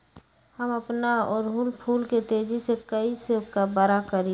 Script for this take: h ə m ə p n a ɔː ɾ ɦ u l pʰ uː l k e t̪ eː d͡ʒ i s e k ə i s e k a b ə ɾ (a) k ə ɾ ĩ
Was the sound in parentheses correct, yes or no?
yes